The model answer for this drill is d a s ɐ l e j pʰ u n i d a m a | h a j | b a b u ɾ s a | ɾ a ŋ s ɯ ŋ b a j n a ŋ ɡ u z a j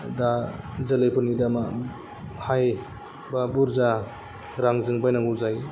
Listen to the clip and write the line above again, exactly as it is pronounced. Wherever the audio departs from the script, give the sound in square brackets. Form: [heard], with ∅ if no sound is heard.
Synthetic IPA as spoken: d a [z] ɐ l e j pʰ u n i d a m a | h a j | b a b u ɾ [z] a | ɾ a ŋ [z] ɯ ŋ b a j n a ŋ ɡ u z a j